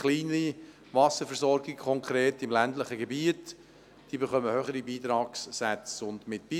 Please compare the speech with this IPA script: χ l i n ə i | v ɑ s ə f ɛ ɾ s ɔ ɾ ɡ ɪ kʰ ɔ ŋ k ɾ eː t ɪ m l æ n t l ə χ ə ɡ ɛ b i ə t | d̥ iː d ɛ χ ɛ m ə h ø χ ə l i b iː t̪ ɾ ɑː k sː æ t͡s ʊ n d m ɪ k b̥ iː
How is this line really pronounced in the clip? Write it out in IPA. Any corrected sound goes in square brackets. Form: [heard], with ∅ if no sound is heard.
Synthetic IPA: χ l [iː] n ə i | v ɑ s ə f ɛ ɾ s ɔ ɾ ɡ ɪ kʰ ɔ ŋ k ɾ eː t ɪ m l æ n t l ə χ ə ɡ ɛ b i ə t | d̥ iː [b] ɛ χ [œ] m ə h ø χ ə [ɾ] i b iː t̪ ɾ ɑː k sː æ t͡s ʊ n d m ɪ [t] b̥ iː